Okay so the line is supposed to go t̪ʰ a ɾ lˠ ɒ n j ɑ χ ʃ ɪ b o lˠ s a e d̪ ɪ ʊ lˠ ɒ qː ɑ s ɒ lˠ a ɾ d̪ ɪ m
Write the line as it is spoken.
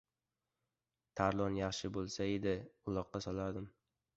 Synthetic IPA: t̪ʰ a ɾ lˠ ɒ n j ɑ χ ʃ ɪ b o lˠ s a e d̪ ɪ ʊ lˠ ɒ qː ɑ s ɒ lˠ a ɾ d̪ ɪ m